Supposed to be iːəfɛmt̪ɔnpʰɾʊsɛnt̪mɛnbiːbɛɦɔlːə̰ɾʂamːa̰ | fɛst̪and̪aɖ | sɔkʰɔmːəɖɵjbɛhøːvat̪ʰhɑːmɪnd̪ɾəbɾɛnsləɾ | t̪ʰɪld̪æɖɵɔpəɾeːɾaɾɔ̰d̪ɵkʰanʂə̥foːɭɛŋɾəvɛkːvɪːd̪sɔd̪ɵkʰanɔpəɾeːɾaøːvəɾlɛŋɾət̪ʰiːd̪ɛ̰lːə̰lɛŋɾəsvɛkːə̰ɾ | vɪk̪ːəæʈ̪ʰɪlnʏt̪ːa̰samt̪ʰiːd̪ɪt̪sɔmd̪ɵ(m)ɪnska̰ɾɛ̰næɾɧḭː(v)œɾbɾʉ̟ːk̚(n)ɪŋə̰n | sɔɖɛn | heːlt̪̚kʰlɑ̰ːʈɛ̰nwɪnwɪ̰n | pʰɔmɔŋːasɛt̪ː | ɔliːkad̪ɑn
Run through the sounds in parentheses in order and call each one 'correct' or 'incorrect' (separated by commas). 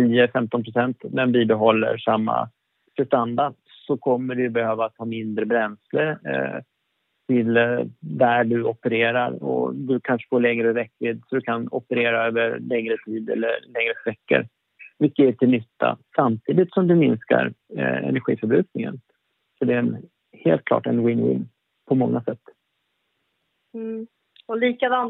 correct, incorrect, correct